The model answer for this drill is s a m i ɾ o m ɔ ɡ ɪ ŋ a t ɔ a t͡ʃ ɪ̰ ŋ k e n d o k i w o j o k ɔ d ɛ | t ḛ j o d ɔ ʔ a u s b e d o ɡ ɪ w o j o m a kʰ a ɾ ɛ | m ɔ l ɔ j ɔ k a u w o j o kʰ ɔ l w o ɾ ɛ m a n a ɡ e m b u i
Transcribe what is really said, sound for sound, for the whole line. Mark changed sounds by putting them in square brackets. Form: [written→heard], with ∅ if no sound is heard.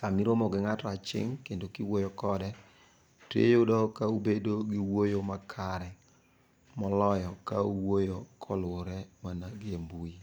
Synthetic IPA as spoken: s a m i ɾ o m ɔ ɡ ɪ ŋ a t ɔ a t͡ʃ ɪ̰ ŋ k e n d o k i w o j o k ɔ d ɛ | t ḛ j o d ɔ [ʔ→k] a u [s→∅] b e d o ɡ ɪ w o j o m a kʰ a ɾ ɛ | m ɔ l ɔ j ɔ k a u w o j o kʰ ɔ l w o ɾ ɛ m a n a ɡ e m b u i